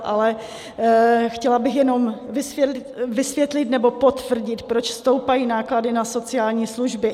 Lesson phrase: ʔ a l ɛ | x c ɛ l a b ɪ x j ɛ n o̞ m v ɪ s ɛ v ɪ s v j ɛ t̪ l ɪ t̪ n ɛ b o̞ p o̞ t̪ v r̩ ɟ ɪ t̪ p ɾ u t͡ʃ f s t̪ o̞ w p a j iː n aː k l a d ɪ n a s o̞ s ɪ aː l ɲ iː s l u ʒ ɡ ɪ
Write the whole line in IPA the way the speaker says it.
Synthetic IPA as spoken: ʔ a l ɛ | x c ɛ l a b ɪ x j ɛ n o̞ m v ɪ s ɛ v ɪ s v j ɛ t̪ l ɪ t̪ n ɛ b o̞ p o̞ t̪ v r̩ ɟ ɪ t̪ p ɾ o t͡ʃ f s t̪ o̞ w p a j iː n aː k l a d ɪ n a s o̞ t͡s ɪ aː l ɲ iː s l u ʒ b ɪ